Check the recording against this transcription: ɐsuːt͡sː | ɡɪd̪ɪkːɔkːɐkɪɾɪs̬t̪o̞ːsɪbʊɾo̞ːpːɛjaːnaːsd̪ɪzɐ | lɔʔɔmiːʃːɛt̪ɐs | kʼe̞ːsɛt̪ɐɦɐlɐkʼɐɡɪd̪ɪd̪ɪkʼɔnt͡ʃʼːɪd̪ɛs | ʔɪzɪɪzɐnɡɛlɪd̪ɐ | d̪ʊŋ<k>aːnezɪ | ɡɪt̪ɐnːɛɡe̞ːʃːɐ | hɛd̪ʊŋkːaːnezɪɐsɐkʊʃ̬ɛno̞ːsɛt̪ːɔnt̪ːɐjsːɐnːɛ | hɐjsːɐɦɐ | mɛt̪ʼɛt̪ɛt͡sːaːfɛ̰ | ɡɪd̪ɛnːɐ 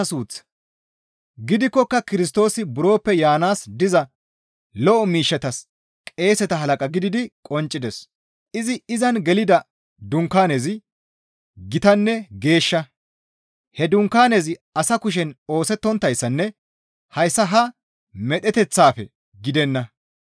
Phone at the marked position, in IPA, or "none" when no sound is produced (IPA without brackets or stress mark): k